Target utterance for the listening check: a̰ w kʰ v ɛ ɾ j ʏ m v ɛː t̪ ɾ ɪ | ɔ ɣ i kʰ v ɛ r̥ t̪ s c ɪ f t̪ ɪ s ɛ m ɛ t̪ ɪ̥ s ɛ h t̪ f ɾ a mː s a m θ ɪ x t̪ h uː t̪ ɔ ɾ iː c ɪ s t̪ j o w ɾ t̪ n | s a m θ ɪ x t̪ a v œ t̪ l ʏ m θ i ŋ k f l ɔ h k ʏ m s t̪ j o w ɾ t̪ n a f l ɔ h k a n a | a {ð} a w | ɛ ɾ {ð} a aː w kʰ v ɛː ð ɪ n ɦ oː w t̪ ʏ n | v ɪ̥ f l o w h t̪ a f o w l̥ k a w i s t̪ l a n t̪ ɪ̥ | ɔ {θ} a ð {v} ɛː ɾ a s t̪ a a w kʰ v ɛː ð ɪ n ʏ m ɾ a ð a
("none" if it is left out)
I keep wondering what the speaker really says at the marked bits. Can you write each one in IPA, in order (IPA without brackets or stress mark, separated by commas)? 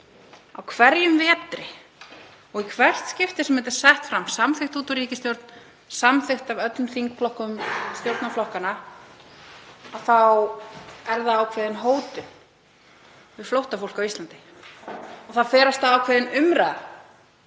θ, ð, θ, f